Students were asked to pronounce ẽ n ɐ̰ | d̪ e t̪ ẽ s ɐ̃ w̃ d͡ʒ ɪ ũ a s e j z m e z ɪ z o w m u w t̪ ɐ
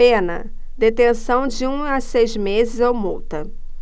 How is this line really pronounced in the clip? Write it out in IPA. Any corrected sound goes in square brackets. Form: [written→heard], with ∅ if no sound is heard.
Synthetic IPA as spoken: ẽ n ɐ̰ | d̪ e t̪ ẽ s ɐ̃ w̃ d͡ʒ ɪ ũ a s e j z m e z ɪ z o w m u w t̪ ɐ